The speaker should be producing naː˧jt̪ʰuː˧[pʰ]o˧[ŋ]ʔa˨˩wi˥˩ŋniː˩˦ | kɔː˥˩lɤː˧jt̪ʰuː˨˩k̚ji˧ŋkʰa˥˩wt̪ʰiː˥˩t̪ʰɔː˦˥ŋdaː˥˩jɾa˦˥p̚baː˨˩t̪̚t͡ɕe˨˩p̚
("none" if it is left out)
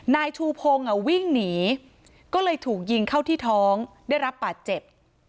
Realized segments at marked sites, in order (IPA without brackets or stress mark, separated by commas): pʰ, ŋ